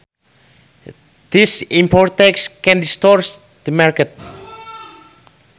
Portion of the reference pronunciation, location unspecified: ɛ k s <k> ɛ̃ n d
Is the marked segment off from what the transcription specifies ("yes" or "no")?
no